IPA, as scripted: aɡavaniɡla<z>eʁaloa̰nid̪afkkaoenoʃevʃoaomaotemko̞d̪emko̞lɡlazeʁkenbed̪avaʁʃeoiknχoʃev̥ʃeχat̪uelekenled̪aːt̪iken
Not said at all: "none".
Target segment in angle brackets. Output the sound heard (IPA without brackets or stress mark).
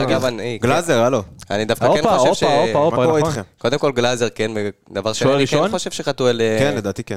z